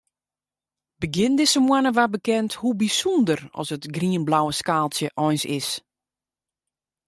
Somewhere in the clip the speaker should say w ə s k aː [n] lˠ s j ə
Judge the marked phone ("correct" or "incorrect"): incorrect